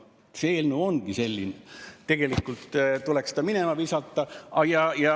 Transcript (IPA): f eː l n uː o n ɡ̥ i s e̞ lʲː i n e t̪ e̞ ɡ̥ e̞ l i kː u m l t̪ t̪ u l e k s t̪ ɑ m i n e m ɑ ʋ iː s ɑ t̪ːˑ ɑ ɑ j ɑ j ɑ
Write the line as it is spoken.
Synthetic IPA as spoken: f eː l n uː o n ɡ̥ i s e̞ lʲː i n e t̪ e̞ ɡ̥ e̞ l i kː u l t̪ t̪ u l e k s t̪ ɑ m i n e m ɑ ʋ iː s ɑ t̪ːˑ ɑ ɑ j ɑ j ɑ